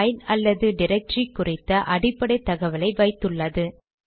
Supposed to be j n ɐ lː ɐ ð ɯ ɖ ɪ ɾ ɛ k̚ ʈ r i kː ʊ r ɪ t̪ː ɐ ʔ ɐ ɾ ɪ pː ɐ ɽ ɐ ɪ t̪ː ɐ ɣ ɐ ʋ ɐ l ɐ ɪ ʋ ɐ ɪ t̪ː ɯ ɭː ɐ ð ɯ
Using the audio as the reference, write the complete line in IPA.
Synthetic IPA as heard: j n ɐ lː ɐ ð ɯ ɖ ɪ ɾ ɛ k̚ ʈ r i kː ʊ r ɪ t̪ː ɐ ʔ ɐ ɽ ɪ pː ɐ ɽ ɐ ɪ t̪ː ɐ ɣ ɐ ʋ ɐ l ɐ ɪ ʋ ɐ ɪ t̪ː ɯ ɭː ɐ ð ɯ